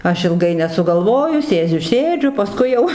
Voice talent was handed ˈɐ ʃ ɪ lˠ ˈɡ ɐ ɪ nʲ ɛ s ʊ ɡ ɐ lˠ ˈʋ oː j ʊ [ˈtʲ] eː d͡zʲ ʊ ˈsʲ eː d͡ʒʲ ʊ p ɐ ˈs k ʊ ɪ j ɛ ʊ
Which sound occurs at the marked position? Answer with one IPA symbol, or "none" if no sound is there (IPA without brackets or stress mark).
sʲ